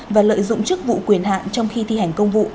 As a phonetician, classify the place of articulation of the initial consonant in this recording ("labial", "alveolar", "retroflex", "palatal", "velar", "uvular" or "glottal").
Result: labial